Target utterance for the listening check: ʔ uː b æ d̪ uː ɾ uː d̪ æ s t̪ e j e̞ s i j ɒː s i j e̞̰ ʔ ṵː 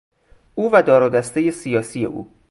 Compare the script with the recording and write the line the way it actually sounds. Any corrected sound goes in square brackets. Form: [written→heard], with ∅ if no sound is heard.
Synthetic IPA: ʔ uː [b→v] æ d̪ [uː→ɒː] ɾ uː d̪ æ s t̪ e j e̞ s i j ɒː s i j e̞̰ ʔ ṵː